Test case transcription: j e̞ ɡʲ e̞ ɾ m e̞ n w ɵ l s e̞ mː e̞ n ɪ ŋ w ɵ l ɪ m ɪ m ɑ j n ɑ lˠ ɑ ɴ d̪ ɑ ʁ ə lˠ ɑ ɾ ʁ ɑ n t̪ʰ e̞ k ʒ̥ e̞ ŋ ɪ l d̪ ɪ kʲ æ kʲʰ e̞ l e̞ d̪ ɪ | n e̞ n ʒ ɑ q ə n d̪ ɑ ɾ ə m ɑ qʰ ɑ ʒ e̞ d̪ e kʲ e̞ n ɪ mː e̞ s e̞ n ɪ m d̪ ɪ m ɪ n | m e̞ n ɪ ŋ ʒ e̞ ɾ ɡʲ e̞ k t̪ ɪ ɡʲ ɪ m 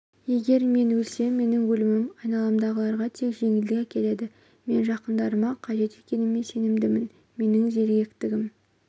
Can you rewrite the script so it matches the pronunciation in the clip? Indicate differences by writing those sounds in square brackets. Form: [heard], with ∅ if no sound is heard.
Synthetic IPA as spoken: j e̞ ɡʲ e̞ ɾ m e̞ n w ɵ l s e̞ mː e̞ n ɪ ŋ w ɵ l ɪ m ɪ m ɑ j n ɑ lˠ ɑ [m] d̪ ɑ ʁ ə lˠ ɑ ɾ ʁ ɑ [∅] t̪ʰ e̞ k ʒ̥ e̞ ŋ ɪ l d̪ ɪ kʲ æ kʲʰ e̞ l e̞ d̪ ɪ | [m] e̞ n ʒ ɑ q ə n d̪ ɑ ɾ ə m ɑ qʰ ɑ ʒ e̞ [t̪] e kʲ e̞ n ɪ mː e̞ s e̞ n ɪ m d̪ ɪ m ɪ n | m e̞ n ɪ ŋ ʒ e̞ ɾ ɡʲ e̞ k t̪ ɪ ɡʲ ɪ m